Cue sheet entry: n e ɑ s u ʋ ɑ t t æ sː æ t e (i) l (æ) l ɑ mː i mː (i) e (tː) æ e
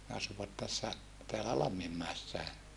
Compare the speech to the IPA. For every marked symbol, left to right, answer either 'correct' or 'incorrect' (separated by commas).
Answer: incorrect, correct, incorrect, incorrect